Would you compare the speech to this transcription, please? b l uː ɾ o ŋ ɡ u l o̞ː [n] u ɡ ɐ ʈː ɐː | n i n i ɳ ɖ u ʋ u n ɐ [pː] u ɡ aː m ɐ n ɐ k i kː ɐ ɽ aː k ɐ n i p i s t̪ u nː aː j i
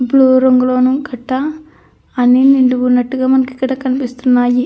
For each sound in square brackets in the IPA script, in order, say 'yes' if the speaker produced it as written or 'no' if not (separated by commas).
yes, no